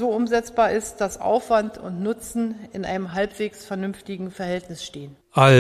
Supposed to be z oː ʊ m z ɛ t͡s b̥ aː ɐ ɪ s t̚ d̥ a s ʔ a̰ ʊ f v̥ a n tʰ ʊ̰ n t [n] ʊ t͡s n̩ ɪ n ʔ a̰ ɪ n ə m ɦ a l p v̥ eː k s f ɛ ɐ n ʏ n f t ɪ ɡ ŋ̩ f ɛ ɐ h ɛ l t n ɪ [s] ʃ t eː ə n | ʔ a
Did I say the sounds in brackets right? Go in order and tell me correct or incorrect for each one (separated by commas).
correct, correct